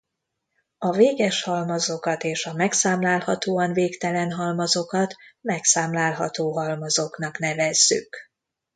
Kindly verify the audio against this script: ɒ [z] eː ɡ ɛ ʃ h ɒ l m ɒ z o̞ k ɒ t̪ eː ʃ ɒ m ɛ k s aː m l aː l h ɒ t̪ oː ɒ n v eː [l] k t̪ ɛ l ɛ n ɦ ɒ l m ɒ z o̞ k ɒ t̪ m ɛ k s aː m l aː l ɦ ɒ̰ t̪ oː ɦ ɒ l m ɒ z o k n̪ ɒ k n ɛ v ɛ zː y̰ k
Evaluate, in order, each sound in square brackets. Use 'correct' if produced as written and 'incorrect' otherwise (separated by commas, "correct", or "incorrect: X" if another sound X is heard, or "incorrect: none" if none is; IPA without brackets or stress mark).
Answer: incorrect: v, incorrect: none